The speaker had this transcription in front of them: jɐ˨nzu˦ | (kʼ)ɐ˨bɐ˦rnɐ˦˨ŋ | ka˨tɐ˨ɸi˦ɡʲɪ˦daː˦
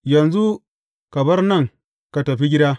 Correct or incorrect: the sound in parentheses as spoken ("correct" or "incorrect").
incorrect